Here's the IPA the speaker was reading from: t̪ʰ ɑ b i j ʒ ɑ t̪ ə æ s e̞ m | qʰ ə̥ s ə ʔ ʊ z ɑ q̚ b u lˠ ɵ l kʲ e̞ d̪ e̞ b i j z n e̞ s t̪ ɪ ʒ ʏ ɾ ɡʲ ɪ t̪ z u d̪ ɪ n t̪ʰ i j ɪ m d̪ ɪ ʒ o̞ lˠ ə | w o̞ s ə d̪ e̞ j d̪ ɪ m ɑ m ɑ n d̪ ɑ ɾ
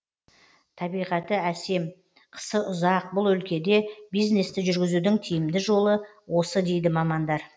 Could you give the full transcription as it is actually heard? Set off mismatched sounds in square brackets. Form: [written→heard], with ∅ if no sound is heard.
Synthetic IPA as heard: t̪ʰ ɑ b i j [ʒ→ʁ] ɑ t̪ ə æ s e̞ m | qʰ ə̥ s ə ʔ ʊ z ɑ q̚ b [u→ʊ] lˠ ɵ l kʲ e̞ d̪ e̞ b i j z n e̞ s t̪ ɪ ʒ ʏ ɾ ɡʲ ɪ [t̪→∅] z u d̪ ɪ [n→ŋ] t̪ʰ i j ɪ m d̪ ɪ ʒ o̞ lˠ ə | w o̞ s ə d̪ e̞ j d̪ ɪ m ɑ m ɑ n d̪ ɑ ɾ